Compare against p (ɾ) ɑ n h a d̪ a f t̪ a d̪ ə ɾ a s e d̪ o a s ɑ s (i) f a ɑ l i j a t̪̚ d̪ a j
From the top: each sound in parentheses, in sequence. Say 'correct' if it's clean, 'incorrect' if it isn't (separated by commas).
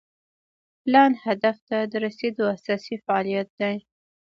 incorrect, correct